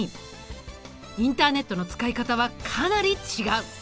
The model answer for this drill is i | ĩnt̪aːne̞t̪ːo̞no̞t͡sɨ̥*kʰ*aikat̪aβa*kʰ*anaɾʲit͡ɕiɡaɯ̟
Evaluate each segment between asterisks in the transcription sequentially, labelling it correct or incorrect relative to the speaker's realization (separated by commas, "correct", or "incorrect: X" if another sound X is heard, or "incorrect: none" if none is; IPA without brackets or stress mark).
incorrect: k, correct